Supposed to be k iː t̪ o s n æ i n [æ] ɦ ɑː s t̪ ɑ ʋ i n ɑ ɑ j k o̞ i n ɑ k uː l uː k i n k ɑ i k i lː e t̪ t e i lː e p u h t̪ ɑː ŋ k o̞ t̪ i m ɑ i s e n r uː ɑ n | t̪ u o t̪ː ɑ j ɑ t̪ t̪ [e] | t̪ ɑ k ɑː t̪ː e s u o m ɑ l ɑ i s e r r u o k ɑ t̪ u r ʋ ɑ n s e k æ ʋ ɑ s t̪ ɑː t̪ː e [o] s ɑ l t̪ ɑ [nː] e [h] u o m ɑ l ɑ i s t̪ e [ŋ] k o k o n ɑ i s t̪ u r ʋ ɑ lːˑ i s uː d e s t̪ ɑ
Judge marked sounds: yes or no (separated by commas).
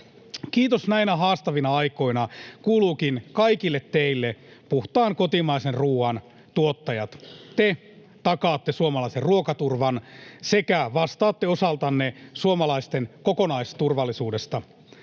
yes, yes, yes, yes, no, no